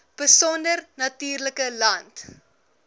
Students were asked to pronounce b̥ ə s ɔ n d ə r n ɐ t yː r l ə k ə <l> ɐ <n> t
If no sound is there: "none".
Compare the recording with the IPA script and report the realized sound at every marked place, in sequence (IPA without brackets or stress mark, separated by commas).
l, n